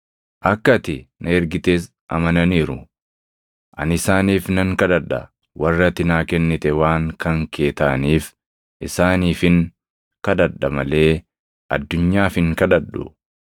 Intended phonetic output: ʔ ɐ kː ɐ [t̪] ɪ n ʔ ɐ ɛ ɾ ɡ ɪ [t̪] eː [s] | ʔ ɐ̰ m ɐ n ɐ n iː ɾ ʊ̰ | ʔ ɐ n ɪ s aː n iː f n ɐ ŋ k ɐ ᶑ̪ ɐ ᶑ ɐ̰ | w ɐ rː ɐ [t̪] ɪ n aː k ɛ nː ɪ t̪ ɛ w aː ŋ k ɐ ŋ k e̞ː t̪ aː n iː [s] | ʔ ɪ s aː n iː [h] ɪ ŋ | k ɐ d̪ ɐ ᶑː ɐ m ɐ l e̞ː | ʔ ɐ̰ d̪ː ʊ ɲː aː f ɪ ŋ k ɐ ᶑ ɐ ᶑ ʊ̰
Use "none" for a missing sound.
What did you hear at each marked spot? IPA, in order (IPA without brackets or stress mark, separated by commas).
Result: t̪, t̪, s, t̪, f, f